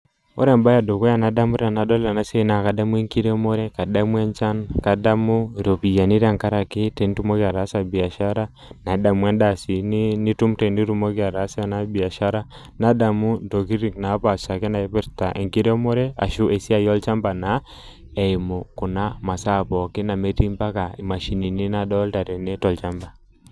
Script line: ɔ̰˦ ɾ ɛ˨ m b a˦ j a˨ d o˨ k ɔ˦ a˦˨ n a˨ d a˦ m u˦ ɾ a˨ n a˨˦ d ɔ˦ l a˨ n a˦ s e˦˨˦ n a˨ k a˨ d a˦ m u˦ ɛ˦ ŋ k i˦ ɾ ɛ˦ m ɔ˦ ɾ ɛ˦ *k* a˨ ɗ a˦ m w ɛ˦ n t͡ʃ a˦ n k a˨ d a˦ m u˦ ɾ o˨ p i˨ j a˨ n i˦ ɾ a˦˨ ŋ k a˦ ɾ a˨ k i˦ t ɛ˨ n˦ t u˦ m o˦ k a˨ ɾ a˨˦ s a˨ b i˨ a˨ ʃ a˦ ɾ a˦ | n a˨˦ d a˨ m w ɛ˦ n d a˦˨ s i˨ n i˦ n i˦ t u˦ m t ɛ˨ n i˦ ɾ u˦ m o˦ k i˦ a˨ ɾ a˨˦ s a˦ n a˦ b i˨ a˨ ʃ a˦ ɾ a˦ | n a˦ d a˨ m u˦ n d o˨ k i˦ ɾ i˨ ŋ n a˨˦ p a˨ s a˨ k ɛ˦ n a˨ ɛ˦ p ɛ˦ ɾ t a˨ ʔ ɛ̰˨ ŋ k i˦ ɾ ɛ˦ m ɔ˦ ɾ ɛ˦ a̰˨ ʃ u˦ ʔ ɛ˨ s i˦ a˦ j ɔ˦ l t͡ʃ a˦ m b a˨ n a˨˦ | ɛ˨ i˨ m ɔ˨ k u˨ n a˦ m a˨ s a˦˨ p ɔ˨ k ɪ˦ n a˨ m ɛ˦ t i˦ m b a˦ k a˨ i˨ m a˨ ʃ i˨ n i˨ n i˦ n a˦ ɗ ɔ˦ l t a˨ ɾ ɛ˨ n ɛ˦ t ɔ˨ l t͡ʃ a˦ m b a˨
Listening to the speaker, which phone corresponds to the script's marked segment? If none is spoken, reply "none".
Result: k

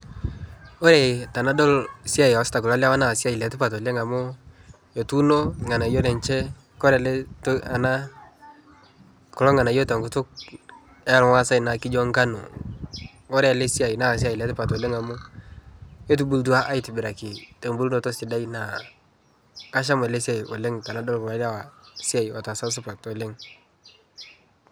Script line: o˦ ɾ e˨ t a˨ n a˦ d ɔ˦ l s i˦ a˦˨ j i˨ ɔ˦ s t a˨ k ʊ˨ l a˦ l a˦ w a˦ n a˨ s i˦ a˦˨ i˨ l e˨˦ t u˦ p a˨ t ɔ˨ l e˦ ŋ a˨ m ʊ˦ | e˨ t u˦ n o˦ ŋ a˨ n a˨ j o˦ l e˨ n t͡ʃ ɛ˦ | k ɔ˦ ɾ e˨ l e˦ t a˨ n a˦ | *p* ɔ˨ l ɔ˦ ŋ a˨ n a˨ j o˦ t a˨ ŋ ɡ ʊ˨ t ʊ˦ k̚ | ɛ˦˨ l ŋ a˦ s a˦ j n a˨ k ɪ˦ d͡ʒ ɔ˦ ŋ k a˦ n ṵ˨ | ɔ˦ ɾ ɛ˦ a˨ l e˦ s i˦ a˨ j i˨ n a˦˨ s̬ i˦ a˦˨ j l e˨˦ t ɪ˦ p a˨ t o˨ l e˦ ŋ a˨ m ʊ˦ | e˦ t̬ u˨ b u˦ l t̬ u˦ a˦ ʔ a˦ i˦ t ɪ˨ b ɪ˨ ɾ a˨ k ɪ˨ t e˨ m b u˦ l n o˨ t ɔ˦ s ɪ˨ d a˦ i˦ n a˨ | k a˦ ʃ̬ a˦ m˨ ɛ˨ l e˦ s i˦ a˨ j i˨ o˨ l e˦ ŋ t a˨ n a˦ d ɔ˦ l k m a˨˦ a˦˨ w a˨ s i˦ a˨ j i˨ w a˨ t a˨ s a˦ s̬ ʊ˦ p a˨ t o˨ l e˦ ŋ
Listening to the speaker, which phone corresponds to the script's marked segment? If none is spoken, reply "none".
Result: k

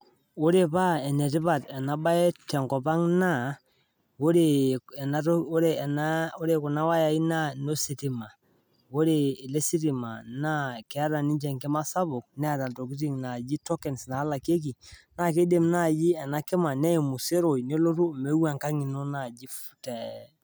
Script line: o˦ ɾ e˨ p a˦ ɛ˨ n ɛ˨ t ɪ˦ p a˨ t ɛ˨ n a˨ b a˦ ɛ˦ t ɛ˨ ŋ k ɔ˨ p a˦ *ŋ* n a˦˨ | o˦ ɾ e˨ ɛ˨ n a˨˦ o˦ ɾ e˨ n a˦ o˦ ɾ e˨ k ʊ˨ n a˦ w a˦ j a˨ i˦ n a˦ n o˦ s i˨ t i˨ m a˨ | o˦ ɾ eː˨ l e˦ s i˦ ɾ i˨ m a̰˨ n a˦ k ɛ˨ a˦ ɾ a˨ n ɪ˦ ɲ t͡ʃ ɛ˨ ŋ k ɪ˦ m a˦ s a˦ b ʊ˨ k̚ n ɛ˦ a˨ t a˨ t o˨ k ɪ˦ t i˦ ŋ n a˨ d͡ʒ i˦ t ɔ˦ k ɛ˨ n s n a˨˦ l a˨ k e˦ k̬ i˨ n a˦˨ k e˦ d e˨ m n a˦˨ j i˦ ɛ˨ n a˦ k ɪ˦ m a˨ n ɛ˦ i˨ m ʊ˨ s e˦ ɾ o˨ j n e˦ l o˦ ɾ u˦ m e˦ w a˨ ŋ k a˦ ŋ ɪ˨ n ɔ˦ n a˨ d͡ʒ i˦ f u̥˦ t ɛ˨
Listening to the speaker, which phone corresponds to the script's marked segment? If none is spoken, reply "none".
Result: ŋ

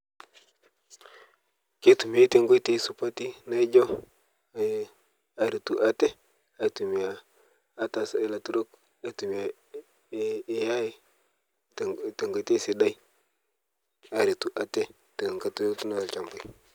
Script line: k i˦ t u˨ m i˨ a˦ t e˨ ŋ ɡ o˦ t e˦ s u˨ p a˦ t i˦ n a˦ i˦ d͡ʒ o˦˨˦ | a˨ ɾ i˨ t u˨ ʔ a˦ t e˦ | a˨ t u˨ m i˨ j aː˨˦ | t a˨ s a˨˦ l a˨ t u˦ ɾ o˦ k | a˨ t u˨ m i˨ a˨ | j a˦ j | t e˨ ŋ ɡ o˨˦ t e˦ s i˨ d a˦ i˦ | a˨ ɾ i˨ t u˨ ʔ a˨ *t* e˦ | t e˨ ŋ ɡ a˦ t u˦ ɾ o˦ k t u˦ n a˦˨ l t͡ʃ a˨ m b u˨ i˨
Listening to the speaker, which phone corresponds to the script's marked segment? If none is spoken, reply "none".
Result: t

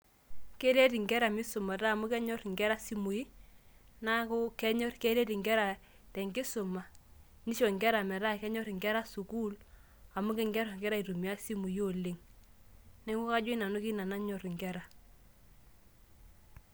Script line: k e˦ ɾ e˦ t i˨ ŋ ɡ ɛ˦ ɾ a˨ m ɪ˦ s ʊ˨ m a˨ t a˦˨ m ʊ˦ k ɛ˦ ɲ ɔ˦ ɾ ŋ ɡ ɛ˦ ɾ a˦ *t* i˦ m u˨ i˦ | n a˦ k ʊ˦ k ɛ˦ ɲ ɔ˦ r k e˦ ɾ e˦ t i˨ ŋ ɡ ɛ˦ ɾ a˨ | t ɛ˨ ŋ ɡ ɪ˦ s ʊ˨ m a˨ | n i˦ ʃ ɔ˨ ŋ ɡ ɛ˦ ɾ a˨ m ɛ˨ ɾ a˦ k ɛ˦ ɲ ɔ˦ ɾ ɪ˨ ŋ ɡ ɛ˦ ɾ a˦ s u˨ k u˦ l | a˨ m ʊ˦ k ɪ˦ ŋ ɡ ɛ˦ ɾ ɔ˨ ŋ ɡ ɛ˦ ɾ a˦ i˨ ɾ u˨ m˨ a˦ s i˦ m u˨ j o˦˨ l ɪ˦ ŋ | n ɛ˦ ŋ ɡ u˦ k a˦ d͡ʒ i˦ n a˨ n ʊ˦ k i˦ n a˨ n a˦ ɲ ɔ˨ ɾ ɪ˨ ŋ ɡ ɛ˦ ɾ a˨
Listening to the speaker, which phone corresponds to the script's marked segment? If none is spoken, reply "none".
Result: s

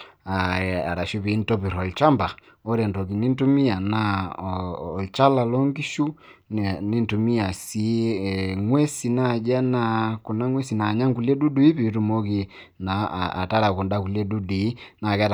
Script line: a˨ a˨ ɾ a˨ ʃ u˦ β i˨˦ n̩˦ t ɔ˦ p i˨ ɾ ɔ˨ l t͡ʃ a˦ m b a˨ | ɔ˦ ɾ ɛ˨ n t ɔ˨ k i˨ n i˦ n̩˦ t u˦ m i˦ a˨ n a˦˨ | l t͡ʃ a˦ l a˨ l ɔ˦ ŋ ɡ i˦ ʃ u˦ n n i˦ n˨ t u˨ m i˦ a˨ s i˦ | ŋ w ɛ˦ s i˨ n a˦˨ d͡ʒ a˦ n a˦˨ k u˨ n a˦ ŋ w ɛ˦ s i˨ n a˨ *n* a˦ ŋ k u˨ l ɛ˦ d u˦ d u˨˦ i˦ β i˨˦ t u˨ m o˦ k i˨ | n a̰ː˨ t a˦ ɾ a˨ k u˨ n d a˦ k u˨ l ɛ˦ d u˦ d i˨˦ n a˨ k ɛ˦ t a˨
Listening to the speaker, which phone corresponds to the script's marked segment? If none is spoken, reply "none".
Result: ɲ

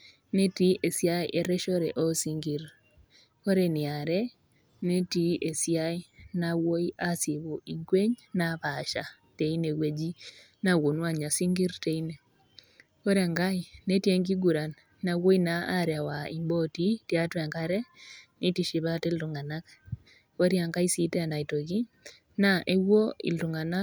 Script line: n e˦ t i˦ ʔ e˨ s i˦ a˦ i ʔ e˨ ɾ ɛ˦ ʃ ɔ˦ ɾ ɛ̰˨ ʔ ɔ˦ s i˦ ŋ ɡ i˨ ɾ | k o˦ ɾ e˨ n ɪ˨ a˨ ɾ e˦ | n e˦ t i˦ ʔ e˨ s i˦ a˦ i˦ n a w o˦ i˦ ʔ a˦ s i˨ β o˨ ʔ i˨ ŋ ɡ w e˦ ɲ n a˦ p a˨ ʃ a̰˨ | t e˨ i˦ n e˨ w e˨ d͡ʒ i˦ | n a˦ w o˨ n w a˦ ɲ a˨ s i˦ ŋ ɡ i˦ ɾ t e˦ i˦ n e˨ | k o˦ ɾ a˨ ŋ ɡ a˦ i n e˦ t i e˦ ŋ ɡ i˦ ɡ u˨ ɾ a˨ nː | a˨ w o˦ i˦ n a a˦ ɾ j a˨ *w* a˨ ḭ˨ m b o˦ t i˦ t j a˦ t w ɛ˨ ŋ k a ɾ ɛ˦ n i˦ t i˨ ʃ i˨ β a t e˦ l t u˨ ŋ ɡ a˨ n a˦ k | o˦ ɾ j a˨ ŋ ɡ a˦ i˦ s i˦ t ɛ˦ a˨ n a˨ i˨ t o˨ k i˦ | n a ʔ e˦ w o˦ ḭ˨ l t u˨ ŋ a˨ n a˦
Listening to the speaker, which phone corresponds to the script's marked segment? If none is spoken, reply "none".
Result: w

